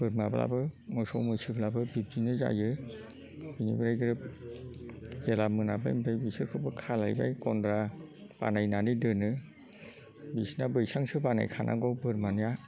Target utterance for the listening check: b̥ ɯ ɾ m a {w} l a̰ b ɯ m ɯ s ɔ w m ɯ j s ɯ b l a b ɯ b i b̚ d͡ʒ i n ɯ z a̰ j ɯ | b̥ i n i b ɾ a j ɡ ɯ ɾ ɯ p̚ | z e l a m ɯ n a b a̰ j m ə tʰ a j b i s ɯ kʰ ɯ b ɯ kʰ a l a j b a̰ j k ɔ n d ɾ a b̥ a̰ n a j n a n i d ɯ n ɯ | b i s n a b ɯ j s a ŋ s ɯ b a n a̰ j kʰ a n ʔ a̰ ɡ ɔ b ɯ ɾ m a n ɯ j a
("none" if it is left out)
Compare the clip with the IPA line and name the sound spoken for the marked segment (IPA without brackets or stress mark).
b